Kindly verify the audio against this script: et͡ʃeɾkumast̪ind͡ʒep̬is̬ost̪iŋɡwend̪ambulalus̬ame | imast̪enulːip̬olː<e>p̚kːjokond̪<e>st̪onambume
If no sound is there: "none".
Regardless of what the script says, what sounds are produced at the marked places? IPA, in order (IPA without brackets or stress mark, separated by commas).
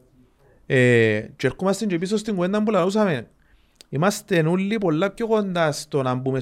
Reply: a, a